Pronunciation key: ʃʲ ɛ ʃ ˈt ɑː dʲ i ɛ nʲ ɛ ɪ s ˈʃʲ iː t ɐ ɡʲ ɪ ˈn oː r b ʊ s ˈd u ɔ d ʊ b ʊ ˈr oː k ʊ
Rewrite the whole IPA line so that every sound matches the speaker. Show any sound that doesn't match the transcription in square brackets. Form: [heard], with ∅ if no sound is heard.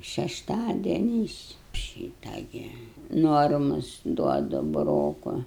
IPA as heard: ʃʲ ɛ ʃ ˈt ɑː dʲ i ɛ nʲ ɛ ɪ s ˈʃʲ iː t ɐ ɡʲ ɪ ˈn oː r [m] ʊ s ˈd u ɔ d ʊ b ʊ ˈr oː k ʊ